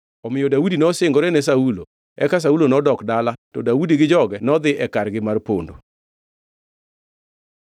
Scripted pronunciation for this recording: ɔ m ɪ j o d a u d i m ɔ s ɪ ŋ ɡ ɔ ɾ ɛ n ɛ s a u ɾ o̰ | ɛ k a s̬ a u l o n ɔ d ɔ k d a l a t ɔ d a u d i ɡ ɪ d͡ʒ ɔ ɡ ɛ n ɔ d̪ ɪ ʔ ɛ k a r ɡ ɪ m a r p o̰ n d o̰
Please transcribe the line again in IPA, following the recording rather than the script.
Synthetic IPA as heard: ɔ m ɪ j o d a u d i n ɔ s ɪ ŋ ɡ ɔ ɾ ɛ n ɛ s a u l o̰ | ɛ k a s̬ a u l o n ɔ d ɔ k d a l a t ɔ d a u d i ɡ ɪ d͡ʒ ɔ ɡ ɛ n ɔ d̪ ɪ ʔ ɛ k a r ɡ ɪ m a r p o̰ n d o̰